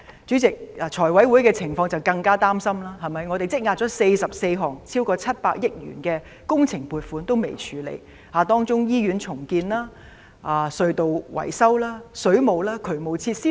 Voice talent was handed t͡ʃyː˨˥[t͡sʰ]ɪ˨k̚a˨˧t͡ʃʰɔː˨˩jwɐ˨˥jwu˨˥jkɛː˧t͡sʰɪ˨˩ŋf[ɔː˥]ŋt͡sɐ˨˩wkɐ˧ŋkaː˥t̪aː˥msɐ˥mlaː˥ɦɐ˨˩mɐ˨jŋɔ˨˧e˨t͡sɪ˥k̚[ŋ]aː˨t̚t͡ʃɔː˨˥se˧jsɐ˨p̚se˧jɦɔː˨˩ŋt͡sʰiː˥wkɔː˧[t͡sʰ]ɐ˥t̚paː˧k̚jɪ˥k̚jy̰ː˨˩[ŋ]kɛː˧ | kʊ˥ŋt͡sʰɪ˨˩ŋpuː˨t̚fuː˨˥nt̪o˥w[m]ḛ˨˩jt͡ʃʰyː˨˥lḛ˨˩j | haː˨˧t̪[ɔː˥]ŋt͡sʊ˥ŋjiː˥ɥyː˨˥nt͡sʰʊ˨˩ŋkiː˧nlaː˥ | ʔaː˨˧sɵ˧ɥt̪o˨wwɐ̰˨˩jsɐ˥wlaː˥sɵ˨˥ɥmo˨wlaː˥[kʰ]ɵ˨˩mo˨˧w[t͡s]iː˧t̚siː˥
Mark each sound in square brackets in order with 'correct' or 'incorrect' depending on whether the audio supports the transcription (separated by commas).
incorrect, incorrect, correct, correct, incorrect, correct, correct, correct, incorrect